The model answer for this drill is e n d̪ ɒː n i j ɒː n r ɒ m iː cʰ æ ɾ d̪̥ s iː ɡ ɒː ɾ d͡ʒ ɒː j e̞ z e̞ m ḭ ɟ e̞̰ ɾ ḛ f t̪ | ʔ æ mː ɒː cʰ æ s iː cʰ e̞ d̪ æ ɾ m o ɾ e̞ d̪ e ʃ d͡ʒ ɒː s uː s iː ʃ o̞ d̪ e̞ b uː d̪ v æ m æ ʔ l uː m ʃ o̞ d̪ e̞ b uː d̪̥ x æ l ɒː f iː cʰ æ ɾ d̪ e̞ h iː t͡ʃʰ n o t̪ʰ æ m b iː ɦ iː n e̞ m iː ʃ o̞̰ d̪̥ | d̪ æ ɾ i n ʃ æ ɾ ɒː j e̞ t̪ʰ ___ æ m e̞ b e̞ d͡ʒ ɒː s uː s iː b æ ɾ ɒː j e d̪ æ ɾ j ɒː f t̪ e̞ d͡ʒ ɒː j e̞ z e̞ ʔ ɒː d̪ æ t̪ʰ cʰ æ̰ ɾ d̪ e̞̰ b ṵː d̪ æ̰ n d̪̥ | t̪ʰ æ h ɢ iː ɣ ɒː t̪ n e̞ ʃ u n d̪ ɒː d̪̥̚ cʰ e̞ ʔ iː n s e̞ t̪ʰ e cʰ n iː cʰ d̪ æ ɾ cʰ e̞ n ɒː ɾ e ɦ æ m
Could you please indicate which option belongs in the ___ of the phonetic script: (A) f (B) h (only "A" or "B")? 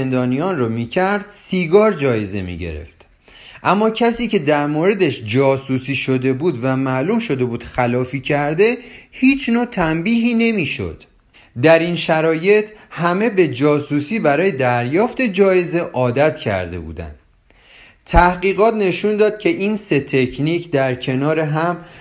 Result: B